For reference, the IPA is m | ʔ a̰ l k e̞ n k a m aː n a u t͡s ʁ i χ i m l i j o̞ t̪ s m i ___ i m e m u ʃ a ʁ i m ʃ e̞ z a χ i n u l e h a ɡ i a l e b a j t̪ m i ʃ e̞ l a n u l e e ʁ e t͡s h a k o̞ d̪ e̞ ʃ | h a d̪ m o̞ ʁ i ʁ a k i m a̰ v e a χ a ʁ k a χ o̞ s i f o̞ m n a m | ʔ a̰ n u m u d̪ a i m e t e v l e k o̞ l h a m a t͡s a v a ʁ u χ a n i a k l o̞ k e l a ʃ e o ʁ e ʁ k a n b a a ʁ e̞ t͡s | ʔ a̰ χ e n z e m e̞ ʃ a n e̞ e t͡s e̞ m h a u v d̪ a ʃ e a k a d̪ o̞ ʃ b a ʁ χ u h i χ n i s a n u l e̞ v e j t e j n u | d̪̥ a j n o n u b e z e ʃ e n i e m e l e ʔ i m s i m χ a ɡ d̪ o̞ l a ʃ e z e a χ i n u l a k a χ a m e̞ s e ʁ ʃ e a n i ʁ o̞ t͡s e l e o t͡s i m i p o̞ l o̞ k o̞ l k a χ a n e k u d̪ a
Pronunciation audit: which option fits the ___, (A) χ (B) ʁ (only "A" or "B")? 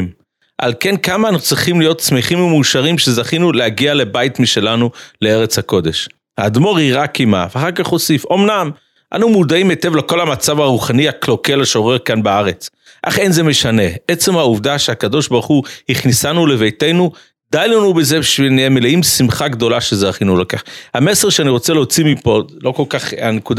A